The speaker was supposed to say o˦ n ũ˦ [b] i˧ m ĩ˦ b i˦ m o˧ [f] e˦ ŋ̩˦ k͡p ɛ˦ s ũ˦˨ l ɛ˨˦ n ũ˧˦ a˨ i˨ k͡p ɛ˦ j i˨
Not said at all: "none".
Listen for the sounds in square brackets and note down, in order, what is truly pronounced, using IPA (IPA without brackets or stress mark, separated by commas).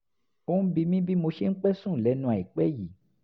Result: b, ʃ